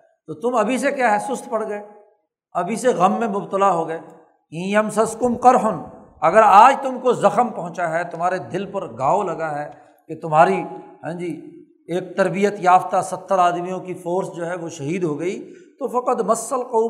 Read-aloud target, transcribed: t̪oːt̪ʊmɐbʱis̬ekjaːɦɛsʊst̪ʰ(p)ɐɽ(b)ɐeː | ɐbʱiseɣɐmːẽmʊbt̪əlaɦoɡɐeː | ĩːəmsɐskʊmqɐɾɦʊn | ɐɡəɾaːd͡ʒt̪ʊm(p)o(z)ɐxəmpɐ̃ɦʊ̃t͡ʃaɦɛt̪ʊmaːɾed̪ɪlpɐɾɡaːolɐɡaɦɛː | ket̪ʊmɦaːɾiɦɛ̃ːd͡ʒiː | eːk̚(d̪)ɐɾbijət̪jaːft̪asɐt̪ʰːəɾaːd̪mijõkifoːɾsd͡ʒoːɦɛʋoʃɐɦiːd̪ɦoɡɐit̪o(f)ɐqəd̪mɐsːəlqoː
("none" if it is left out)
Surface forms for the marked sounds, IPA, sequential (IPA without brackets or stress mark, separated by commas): p, ɡ, k, z, t̪, f